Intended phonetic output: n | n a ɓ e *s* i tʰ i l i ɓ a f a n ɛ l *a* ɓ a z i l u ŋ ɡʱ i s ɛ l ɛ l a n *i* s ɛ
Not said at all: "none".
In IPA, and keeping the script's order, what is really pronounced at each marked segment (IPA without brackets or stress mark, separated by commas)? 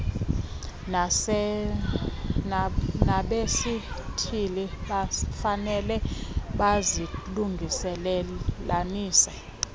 s, ɛ, iː